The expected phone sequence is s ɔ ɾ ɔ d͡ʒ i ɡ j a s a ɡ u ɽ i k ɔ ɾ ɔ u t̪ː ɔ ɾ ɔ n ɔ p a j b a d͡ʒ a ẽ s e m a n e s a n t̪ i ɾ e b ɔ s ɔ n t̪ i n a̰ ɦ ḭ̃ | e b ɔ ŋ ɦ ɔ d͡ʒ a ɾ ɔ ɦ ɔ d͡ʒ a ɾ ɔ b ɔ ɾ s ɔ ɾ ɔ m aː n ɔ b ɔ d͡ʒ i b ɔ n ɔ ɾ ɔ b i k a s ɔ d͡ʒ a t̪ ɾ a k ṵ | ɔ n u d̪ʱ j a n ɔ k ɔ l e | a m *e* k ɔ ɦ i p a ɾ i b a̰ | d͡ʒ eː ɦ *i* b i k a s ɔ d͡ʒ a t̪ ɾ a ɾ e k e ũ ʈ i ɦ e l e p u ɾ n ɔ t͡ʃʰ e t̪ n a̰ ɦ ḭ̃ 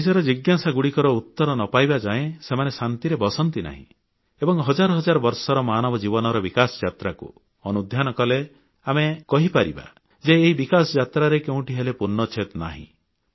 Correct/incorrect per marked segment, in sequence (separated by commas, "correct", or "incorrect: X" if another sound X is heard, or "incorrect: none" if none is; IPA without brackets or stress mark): correct, correct